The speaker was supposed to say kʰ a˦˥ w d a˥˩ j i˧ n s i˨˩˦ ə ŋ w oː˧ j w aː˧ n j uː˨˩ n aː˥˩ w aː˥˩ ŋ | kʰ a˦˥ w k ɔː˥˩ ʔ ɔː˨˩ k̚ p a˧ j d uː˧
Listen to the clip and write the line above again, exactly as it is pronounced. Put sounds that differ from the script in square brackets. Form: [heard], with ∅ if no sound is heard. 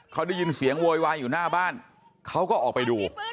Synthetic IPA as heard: kʰ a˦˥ w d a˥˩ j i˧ n s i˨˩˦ ə ŋ w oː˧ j w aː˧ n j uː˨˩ n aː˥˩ [b] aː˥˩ [n] | kʰ a˦˥ w k ɔː˥˩ ʔ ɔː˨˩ k̚ p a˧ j d uː˧